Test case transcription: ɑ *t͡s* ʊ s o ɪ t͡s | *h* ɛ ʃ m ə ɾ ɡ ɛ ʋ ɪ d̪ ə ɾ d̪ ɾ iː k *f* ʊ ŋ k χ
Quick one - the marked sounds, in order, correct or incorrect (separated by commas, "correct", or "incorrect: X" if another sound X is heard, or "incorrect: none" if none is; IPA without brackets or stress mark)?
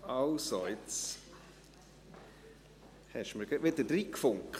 incorrect: none, correct, correct